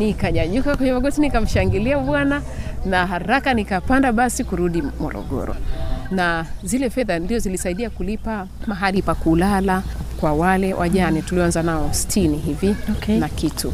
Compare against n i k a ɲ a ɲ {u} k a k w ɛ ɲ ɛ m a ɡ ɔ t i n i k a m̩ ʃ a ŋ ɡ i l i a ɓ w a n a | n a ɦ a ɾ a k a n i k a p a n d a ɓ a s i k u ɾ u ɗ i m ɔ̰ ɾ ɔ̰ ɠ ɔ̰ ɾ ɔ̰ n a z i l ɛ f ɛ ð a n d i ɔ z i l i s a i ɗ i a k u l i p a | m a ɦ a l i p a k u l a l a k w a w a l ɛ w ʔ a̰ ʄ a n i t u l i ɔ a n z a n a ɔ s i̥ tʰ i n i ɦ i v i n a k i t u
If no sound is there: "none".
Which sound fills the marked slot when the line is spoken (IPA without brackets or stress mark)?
u